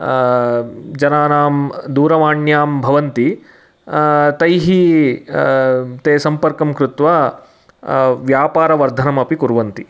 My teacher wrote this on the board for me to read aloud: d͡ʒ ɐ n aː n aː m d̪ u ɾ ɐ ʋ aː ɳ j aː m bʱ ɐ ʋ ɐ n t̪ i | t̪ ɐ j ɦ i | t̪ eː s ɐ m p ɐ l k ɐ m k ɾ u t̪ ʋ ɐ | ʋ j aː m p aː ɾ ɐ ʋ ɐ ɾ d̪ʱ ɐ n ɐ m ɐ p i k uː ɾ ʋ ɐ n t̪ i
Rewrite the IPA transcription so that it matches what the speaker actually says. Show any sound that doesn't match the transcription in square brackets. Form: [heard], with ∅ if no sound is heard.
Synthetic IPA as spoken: d͡ʒ ɐ n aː n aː m d̪ [uː] ɾ ɐ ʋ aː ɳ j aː m bʱ ɐ ʋ ɐ n t̪ i | t̪ ɐ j ɦ i | t̪ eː s ɐ m p ɐ [ɾ] k ɐ m k ɾ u t̪ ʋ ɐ | ʋ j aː [∅] p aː ɾ ɐ ʋ ɐ ɾ d̪ʱ ɐ n ɐ m ɐ p i k [u] ɾ ʋ ɐ n t̪ i